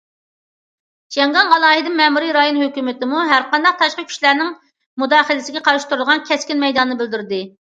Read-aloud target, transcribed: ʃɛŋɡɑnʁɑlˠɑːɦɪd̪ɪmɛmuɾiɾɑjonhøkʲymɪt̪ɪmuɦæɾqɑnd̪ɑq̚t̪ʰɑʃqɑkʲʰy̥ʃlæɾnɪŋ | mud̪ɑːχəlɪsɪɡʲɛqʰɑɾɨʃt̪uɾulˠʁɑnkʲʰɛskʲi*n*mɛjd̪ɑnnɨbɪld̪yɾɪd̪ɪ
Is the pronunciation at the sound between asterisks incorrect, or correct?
correct